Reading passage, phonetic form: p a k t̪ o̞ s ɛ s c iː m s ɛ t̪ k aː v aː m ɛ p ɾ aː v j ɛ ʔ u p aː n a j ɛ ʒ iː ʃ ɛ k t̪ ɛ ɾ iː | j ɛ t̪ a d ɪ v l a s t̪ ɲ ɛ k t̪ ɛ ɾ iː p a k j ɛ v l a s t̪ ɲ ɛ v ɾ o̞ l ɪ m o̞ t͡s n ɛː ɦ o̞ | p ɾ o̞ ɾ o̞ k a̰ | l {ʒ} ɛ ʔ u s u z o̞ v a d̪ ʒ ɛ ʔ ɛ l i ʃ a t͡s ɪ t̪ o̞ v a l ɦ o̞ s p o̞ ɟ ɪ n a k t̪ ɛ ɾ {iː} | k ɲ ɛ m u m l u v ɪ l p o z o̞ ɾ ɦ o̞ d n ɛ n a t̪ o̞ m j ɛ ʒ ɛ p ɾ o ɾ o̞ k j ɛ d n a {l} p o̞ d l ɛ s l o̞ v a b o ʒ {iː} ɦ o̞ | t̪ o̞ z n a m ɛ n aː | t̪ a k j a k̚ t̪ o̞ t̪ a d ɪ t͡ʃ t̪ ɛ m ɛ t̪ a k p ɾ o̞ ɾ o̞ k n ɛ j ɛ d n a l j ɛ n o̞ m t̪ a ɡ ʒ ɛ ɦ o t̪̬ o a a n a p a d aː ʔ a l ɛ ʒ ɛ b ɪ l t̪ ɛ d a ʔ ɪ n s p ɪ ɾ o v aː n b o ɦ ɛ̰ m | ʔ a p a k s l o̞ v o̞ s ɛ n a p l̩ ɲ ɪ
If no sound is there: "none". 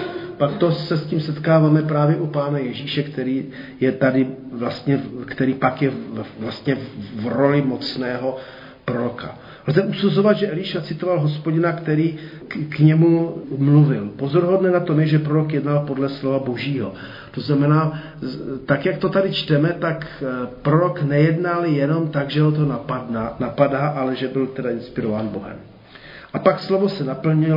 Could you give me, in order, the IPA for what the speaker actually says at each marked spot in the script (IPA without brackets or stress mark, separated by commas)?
z, iː, l, iː